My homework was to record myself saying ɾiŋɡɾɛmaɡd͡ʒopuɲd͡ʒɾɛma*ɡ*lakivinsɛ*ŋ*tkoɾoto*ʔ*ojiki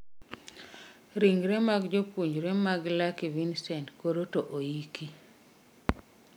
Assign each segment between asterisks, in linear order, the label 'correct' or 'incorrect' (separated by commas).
correct, incorrect, correct